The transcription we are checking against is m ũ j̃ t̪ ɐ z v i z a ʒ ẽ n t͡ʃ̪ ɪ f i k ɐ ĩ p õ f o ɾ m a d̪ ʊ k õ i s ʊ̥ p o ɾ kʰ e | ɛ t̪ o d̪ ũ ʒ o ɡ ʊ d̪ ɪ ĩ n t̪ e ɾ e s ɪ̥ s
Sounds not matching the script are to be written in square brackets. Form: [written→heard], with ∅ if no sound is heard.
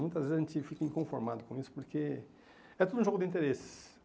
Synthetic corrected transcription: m ũ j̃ t̪ ɐ z v [i→e] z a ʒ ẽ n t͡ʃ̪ ɪ f i k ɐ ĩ [p→k] õ f o ɾ m a d̪ ʊ k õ i s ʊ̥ p o ɾ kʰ e | ɛ t̪ o d̪ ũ ʒ o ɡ ʊ d̪ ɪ ĩ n t̪ e ɾ e s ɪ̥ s